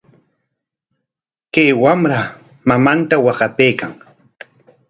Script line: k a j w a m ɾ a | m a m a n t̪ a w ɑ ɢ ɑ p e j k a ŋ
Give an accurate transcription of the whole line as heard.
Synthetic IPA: k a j w a m ɾ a | m a m a n t̪ a w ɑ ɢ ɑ p e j k a ŋ